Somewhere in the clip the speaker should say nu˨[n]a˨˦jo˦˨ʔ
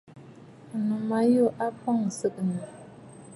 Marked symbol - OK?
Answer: no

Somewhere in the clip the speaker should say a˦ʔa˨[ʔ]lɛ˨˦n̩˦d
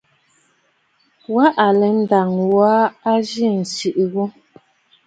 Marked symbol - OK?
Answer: no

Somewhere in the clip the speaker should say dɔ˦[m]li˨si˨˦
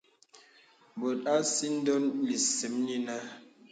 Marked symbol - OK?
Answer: no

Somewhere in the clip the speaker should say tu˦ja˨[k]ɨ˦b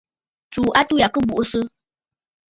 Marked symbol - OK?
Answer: yes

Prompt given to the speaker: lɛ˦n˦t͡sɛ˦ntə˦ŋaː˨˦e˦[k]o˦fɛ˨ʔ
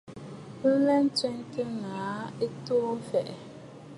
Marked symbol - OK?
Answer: no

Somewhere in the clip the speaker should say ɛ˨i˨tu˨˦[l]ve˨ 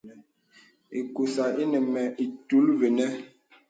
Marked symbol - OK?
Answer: yes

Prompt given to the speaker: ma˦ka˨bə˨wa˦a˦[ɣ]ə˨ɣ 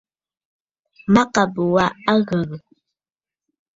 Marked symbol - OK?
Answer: yes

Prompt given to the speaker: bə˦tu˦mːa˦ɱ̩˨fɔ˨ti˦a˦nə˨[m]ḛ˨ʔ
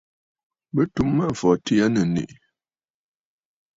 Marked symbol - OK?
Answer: no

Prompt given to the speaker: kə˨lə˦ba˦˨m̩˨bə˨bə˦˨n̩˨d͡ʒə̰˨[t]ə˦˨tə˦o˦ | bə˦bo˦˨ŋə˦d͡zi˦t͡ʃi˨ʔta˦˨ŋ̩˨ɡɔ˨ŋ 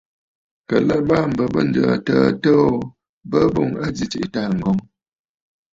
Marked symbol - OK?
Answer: yes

